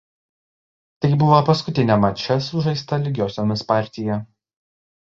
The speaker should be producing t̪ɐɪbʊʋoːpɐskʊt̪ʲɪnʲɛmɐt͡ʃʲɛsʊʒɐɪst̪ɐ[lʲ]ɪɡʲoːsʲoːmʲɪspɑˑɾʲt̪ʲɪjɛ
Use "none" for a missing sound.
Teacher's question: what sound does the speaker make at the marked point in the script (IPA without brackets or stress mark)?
lʲ